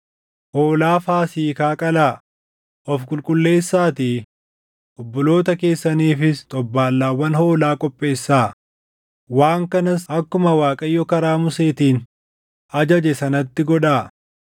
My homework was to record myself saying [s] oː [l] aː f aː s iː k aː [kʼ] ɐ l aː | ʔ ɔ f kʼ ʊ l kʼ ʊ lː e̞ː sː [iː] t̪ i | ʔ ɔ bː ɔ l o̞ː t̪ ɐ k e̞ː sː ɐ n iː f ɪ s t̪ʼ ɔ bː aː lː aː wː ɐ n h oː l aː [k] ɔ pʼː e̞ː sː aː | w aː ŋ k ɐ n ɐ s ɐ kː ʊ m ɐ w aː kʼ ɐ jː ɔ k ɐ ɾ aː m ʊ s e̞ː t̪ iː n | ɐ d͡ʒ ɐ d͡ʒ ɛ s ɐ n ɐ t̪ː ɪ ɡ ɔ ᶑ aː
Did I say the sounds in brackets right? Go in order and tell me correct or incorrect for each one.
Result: incorrect: h, correct, correct, incorrect: aː, incorrect: kʼ

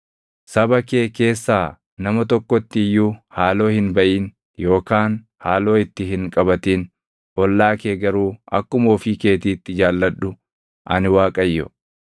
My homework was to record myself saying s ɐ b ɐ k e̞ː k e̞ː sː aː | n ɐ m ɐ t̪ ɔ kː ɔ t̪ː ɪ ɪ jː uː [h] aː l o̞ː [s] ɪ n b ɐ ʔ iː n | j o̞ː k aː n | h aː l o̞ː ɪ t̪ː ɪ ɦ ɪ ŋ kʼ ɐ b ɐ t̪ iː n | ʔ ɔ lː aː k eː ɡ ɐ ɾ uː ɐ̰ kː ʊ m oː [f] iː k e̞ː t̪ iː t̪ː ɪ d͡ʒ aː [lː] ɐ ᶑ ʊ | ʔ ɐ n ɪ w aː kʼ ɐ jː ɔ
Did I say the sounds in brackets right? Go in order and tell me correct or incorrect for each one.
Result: correct, incorrect: h, correct, correct

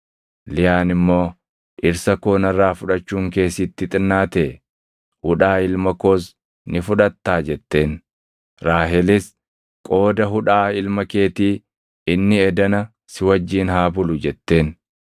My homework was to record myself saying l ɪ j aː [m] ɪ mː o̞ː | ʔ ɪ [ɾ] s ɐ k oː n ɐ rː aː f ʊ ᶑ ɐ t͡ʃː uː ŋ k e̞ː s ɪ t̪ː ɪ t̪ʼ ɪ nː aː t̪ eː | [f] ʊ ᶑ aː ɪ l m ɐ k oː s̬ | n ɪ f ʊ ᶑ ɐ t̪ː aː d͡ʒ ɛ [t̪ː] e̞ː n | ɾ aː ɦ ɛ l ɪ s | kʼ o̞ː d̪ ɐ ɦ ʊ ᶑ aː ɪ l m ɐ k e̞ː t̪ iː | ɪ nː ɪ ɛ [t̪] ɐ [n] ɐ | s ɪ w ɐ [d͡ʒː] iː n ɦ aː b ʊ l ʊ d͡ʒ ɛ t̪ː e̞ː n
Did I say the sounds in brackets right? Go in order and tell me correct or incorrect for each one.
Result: incorrect: n, correct, incorrect: h, correct, incorrect: d̪, correct, correct

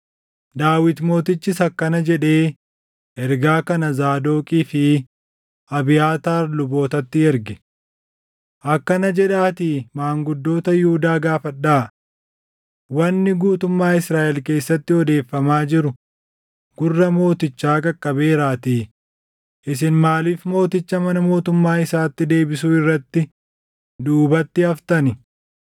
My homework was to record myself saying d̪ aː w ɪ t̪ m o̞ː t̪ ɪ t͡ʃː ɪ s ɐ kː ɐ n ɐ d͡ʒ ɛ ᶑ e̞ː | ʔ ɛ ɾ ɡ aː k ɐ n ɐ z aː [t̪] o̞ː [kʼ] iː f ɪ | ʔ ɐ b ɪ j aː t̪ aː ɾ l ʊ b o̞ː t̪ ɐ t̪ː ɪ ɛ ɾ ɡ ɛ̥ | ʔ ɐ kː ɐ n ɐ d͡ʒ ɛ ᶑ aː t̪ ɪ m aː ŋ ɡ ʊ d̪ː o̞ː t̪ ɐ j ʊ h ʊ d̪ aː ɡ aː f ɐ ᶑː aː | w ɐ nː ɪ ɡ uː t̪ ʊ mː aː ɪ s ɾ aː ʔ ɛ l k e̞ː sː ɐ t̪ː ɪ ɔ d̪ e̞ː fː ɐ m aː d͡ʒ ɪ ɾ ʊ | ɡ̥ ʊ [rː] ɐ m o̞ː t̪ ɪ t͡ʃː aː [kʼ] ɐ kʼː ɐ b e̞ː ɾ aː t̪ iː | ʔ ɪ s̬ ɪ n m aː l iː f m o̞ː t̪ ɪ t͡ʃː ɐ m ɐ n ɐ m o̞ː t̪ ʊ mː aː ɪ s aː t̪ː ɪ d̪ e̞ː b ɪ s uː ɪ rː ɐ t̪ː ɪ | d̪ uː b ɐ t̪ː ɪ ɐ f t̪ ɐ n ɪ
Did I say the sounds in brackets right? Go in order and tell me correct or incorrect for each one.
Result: incorrect: d̪, correct, correct, correct

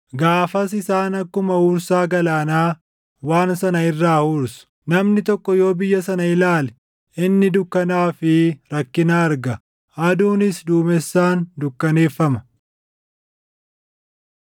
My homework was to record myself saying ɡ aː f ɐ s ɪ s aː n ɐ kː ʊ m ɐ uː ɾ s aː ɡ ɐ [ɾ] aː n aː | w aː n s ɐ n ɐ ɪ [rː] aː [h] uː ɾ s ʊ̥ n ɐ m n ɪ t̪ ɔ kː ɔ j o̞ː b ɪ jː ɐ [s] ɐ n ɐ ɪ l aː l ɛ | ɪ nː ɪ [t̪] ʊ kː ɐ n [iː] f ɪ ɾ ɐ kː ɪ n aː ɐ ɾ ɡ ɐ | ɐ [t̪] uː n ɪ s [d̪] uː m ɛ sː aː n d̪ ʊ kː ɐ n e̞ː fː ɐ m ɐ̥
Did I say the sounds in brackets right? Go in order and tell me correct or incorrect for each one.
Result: incorrect: l, correct, correct, correct, incorrect: d̪, incorrect: aː, incorrect: d̪, correct

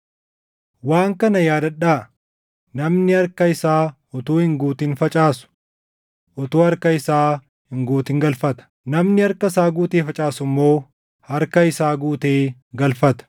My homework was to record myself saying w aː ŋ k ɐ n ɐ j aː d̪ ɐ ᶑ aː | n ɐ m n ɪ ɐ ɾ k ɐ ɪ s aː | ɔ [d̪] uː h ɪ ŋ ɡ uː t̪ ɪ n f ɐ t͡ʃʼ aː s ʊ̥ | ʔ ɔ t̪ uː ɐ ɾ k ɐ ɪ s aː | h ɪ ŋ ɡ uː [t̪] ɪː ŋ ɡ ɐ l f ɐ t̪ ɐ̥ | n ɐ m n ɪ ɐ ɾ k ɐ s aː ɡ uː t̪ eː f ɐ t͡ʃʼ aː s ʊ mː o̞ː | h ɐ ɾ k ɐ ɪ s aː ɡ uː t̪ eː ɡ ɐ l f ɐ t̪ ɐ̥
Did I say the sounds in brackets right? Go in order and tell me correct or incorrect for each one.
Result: incorrect: t̪, correct

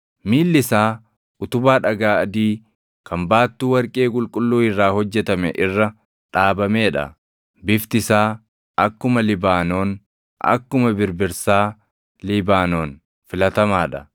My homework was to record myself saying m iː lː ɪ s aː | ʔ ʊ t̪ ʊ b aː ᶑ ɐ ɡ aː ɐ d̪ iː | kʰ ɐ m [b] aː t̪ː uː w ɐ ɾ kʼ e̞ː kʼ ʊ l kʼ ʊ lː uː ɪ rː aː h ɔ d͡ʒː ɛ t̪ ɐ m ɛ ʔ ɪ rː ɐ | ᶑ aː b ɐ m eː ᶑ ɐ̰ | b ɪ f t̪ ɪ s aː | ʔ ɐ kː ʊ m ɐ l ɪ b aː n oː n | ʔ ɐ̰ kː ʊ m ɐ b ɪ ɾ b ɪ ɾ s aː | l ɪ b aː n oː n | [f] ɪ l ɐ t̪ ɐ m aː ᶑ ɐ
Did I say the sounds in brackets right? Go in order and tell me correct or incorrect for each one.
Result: correct, correct

